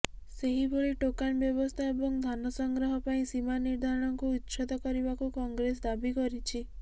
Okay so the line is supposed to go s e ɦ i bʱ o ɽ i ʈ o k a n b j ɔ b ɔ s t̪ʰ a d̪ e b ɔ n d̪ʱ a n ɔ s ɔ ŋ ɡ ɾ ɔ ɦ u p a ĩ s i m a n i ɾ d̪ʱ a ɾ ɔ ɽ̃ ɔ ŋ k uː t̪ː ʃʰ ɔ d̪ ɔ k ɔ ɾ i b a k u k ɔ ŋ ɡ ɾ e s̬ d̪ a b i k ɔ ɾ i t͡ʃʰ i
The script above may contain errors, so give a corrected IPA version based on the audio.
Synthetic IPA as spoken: s e ɦ i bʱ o ɭ i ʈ o k a n b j ɔ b ɔ s t̪ʰ a e b ɔ ŋ d̪ʱ a n ɔ s ɔ ŋ ɡ ɾ ɔ ɦ ɔ p a ĩ s i m a n i ɾ d̪ʱ a ɾ ɔ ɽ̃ ɔ ŋ k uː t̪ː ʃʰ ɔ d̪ ɔ k ɔ ɾ i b a k u k ɔ ŋ ɡ ɾ e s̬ d̪ a b i k ɔ ɾ i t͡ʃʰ i